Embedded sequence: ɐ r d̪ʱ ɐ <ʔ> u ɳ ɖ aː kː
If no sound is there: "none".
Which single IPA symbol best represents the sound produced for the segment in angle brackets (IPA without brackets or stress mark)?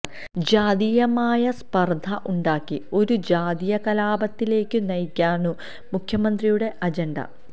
ʔ